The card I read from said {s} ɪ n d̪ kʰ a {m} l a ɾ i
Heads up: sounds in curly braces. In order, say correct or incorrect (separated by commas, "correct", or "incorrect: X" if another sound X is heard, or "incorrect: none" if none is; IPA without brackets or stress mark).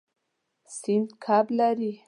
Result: correct, incorrect: b